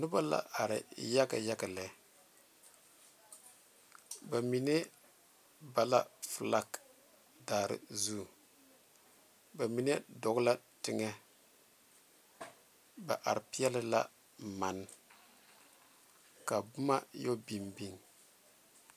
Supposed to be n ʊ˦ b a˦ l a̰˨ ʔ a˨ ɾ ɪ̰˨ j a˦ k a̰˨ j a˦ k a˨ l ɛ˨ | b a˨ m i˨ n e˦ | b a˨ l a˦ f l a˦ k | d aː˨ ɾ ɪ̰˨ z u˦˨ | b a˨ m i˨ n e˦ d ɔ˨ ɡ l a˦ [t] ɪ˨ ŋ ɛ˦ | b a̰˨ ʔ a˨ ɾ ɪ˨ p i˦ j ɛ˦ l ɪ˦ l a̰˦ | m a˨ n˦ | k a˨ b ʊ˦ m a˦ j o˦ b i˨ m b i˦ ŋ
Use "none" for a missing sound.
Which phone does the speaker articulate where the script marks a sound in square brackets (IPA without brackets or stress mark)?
t